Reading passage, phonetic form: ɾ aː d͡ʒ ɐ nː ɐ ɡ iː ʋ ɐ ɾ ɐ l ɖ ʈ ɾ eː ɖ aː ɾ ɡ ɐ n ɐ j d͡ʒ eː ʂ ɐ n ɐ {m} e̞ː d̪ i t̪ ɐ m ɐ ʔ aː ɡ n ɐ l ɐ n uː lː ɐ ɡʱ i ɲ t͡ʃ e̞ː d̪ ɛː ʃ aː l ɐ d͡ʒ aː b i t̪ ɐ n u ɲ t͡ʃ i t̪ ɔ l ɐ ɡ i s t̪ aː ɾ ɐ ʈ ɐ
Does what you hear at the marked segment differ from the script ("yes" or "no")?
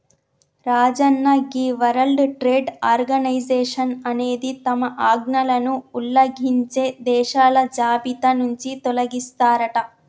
yes